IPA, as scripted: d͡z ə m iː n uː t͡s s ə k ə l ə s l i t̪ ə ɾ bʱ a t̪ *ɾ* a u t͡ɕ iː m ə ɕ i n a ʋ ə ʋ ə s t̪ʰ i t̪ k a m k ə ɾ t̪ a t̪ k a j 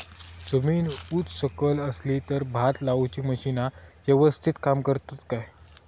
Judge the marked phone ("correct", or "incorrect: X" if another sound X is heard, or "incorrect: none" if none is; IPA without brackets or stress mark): incorrect: l